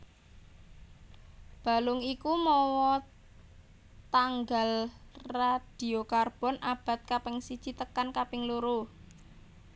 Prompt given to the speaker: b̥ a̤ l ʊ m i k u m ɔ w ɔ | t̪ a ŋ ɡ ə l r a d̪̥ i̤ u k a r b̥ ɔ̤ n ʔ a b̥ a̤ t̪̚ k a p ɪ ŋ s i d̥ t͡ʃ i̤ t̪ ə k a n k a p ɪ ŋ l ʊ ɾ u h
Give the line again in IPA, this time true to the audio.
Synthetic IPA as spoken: b̥ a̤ l ʊ ŋ i k u m ɔ w ɔ | t̪ a ŋ ɡ a l r a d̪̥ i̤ o k a r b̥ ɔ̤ n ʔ a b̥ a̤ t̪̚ k a p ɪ ŋ s i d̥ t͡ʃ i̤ t̪ ə k a n k a p ɪ ŋ l u ɾ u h